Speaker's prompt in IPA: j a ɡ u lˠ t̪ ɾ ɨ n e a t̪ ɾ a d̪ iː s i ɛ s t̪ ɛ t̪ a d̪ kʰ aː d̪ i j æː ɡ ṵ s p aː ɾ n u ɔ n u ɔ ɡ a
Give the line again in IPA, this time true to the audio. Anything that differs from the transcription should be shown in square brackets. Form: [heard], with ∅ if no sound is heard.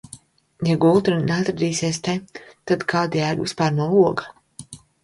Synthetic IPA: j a ɡ u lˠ t̪ ɾ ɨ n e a t̪ ɾ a d̪ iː s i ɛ s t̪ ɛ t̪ a d̪ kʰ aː d̪ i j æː ɡ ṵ s p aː ɾ n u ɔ [∅] u ɔ ɡ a